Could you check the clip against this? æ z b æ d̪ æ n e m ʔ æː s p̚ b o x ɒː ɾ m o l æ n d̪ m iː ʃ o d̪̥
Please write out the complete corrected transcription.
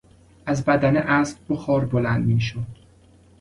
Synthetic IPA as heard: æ z b æ d̪ æ n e ʔ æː s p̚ b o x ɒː ɾ b o l æ n d̪ m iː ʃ o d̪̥